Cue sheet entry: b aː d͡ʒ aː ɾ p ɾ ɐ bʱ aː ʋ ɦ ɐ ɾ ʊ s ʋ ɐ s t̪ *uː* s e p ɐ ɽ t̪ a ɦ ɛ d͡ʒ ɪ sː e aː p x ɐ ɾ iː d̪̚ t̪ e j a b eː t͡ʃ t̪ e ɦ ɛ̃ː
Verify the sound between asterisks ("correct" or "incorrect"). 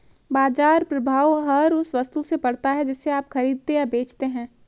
incorrect